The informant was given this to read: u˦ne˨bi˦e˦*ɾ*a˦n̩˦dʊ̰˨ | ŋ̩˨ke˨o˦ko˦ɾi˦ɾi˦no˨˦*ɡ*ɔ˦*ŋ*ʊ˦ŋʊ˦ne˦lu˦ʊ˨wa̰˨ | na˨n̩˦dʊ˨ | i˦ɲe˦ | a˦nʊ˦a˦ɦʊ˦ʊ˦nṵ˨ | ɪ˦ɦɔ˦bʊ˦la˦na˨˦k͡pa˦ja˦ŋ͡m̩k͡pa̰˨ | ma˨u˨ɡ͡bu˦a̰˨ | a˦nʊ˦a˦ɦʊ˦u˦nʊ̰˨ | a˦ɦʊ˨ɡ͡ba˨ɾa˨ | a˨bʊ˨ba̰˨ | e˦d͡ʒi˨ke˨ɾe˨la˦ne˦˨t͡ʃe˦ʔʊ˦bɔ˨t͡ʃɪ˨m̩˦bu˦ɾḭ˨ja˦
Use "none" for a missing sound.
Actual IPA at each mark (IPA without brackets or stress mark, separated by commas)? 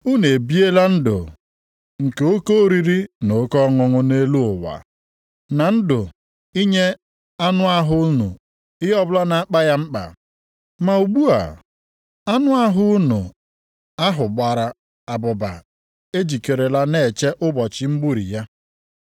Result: l, k, ŋ